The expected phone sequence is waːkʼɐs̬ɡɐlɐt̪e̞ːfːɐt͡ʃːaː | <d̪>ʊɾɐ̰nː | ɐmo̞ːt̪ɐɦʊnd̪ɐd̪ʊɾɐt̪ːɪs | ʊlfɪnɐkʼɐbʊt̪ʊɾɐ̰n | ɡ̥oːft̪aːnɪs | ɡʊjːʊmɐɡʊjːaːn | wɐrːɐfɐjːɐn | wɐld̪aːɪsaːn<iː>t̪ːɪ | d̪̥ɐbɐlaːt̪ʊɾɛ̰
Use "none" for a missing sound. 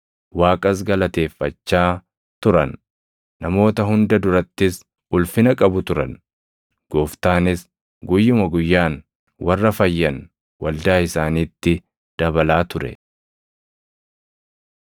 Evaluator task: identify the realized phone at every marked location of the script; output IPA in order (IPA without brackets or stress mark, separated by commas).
t̪, iː